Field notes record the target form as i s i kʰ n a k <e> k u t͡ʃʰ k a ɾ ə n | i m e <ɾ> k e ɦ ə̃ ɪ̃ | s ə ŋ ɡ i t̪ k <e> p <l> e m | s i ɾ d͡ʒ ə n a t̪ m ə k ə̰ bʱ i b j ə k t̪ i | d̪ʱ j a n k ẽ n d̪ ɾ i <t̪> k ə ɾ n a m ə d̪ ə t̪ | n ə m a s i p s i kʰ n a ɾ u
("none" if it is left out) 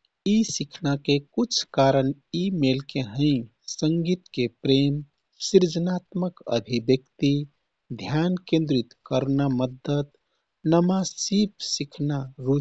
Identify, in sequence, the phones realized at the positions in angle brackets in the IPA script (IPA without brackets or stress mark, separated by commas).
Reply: e, l, e, ɾ, t̪